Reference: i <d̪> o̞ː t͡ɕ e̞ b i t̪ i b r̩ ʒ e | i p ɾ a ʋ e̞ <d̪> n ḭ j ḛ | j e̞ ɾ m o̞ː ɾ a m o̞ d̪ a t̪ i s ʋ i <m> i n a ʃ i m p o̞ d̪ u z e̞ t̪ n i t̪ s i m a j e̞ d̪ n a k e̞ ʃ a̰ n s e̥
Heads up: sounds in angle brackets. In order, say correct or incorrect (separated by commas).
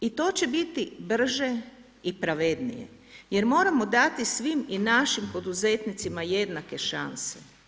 incorrect, correct, correct